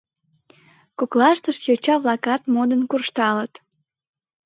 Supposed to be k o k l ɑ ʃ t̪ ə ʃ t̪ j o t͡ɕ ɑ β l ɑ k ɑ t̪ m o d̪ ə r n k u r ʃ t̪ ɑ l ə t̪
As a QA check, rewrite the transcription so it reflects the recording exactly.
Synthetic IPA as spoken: k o k l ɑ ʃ t̪ ə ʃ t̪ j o t͡ɕ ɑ β l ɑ k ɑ t̪ m o d̪ ə n k u r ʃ t̪ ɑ l ə t̪